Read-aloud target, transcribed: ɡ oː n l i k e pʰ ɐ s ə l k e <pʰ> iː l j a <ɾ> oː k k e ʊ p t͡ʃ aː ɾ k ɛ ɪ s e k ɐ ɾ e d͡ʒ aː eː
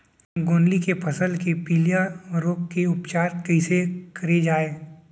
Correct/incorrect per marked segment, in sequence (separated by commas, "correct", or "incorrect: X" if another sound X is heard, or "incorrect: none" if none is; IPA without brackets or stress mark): incorrect: p, correct